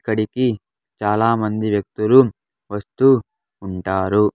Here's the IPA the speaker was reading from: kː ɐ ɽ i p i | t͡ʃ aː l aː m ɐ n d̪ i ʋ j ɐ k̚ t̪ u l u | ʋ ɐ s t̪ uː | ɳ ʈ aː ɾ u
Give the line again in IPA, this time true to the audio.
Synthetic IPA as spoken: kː ɐ ɽ i k i | t͡ʃ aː l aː m ɐ n d̪ i ʋ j ɐ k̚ t̪ u l u | ʋ ɐ s t̪ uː | ɳ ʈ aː ɾ u